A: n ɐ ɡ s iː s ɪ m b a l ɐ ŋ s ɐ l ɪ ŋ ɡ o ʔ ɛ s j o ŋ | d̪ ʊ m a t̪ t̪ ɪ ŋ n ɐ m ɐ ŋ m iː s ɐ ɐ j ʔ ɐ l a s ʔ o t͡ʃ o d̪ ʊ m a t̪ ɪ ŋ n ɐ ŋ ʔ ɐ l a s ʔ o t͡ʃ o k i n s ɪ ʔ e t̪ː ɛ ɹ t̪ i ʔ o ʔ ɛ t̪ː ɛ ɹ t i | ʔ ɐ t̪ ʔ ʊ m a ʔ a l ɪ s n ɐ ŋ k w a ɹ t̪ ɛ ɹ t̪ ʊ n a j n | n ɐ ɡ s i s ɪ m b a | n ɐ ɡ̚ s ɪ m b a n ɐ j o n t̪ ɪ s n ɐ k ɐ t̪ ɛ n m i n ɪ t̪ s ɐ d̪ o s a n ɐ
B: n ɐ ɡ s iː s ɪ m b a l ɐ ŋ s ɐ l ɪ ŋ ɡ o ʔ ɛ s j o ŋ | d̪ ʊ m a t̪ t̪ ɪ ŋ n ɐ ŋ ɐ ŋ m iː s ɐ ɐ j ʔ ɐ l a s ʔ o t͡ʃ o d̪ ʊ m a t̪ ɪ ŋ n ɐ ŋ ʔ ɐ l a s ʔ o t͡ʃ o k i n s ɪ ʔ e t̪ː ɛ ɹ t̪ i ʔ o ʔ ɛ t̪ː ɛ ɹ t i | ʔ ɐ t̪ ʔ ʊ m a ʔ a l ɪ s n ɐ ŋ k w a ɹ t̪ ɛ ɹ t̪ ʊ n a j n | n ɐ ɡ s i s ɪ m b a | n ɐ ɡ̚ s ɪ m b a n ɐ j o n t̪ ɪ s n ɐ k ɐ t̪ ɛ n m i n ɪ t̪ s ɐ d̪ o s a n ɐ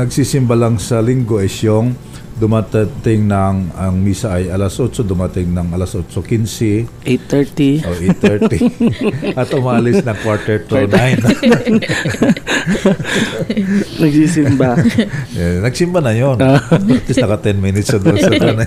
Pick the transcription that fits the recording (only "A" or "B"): B